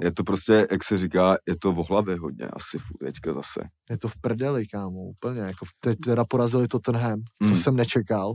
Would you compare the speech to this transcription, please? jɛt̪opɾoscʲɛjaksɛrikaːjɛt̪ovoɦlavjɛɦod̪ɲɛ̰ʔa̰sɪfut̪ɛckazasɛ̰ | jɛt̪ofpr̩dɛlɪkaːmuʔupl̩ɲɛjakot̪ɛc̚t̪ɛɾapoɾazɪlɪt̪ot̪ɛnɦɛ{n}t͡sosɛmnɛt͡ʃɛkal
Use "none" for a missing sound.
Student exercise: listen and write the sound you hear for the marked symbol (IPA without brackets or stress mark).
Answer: m